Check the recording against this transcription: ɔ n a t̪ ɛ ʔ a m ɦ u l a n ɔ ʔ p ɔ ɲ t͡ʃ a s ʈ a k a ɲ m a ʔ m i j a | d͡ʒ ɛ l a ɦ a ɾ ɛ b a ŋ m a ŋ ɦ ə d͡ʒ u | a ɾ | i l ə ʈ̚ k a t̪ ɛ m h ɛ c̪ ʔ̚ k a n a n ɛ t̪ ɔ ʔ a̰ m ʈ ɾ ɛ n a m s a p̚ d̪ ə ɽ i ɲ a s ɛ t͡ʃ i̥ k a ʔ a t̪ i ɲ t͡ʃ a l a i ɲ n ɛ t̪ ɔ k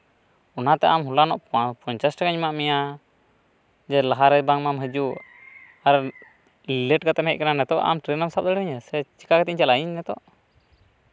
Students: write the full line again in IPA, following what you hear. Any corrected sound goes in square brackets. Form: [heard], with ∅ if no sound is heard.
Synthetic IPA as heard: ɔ n a t̪ ɛ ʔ a m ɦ u l a n ɔ ʔ p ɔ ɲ t͡ʃ a s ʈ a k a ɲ m a ʔ m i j a | d͡ʒ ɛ l a ɦ a ɾ ɛ b a ŋ m a [m] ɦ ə d͡ʒ u | a ɾ | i l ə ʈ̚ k a t̪ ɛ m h ɛ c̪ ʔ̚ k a n a n ɛ t̪ ɔ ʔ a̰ m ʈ ɾ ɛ n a m s a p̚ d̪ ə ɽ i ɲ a s ɛ t͡ʃ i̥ k a [k] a t̪ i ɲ t͡ʃ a l a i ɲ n ɛ t̪ ɔ [ʔ]